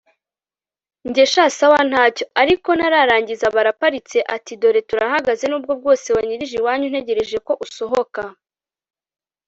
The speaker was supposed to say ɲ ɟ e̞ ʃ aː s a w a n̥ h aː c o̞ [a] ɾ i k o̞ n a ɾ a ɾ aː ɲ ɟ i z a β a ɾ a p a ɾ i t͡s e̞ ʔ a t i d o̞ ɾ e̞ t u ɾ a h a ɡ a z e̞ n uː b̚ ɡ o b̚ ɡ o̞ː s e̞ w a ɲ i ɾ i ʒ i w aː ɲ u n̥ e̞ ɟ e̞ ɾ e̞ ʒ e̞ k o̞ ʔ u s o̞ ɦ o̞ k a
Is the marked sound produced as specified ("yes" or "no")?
yes